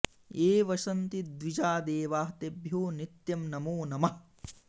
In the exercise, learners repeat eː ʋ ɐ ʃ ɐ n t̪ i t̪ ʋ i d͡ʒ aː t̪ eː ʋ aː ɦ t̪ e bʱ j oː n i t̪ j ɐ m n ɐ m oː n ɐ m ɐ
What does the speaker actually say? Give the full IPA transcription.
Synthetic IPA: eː ʋ ɐ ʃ ɐ n t̪ i d̪ ʋ i d͡ʒ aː d̪ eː ʋ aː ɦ t̪ e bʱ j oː n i t̪ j ɐ m n ɐ m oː n ɐ m ɐ